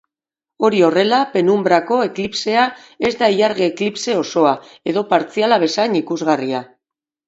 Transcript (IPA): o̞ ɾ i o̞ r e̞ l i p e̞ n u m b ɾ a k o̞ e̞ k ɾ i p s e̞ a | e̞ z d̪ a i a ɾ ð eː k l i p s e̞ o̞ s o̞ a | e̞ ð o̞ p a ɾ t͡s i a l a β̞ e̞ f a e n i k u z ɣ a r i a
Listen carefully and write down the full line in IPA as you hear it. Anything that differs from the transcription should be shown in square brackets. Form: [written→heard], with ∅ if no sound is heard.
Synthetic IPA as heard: o̞ ɾ i o̞ r e̞ l [i→a] p e̞ n u m b ɾ a k o̞ e̞ k [ɾ→l] i p s e̞ a | e̞ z d̪ a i a ɾ [ð→ɣ] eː k l i p s e̞ o̞ s o̞ a | e̞ ð o̞ p a ɾ t͡s i a l a β̞ e̞ [f→s] a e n i k u z ɣ a r i a